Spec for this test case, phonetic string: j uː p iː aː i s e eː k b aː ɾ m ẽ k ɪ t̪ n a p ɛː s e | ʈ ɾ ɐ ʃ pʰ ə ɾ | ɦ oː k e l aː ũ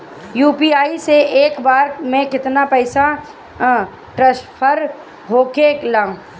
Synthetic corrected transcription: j uː p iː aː i s e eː k b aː ɾ m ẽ k ɪ t̪ n a p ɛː s a | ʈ ɾ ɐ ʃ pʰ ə ɾ | ɦ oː k e l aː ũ